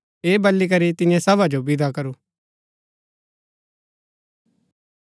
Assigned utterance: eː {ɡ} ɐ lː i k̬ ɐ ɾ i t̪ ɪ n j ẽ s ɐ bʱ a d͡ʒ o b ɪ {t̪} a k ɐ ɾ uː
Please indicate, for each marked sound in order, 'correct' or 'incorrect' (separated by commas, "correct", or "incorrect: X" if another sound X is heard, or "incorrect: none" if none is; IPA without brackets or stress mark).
incorrect: b, incorrect: d̪